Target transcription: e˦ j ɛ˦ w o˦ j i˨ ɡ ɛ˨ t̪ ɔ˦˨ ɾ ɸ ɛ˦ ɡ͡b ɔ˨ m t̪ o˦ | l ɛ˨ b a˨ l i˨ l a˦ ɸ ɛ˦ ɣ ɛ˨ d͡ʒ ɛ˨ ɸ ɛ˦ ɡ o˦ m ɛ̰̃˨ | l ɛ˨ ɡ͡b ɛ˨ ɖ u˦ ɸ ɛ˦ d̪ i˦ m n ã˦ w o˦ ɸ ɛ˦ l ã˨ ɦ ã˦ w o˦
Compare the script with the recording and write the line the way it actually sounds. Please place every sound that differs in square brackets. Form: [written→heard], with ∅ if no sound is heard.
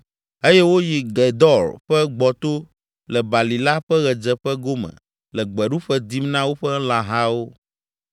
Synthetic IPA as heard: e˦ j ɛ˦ w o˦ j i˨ ɡ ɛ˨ [t̪→d̪] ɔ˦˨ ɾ ɸ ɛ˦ ɡ͡b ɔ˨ [m→∅] t̪ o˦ | l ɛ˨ b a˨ l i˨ l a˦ ɸ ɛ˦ ɣ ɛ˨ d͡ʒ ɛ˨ ɸ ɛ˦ ɡ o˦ m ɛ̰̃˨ | l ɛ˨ ɡ͡b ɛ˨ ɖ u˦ ɸ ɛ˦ d̪ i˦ m n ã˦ w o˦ ɸ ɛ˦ l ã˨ ɦ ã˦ w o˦